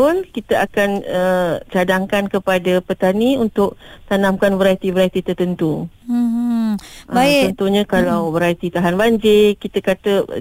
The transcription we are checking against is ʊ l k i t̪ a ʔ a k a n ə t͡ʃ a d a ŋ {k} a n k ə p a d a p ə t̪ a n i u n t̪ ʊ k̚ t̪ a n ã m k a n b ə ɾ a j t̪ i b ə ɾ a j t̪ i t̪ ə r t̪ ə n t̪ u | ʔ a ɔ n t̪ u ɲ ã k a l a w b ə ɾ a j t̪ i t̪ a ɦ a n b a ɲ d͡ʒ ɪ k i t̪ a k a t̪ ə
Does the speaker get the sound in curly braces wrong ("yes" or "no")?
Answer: no